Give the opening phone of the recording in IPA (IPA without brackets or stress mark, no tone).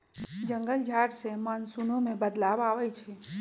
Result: d͡ʒ